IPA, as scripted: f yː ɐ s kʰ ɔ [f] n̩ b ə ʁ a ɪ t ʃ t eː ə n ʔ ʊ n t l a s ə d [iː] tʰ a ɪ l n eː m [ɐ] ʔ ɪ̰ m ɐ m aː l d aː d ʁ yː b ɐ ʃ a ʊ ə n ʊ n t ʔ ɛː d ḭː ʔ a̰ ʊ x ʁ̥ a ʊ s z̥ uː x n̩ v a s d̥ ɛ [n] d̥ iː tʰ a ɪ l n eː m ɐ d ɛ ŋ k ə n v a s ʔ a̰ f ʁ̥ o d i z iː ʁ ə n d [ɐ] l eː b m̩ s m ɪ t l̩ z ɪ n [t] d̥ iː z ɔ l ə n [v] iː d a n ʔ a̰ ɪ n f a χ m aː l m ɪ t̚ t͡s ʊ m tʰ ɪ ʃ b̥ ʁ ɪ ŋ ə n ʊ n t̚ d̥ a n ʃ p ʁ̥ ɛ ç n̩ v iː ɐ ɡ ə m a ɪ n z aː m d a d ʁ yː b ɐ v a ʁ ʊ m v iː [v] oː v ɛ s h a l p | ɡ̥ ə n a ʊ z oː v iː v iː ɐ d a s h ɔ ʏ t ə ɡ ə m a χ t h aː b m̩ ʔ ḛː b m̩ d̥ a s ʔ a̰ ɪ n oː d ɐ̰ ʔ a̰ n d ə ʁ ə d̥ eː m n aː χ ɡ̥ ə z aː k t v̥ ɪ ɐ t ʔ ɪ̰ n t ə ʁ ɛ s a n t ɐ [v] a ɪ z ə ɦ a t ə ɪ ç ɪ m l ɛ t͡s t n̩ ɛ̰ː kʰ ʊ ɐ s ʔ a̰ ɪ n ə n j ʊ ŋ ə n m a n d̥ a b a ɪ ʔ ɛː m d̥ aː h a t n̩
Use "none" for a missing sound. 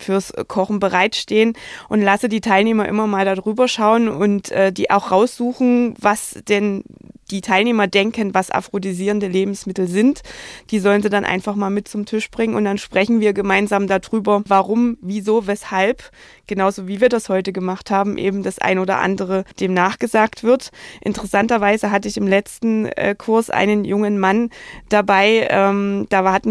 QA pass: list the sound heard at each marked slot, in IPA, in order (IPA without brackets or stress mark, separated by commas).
χ, iː, ɐ, n, ə, t, z, z, v